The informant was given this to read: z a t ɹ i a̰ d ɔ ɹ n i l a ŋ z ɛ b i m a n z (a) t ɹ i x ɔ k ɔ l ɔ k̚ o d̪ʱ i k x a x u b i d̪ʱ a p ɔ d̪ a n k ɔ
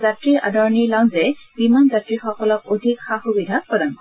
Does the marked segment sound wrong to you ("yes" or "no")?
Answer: no